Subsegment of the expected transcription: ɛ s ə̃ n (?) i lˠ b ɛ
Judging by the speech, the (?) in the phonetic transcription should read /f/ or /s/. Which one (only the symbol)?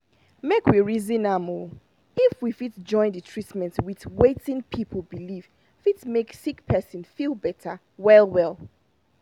f